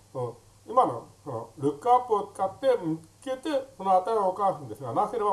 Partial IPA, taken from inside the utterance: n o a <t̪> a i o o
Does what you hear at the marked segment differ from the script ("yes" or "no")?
no